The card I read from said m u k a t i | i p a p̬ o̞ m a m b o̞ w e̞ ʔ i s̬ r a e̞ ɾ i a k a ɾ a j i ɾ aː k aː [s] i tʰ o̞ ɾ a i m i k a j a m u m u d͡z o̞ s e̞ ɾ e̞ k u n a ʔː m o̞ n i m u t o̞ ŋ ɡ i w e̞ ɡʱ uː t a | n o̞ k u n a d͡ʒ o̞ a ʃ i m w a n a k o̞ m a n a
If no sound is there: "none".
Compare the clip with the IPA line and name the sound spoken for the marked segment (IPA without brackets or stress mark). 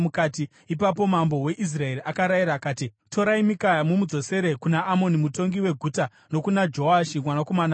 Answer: t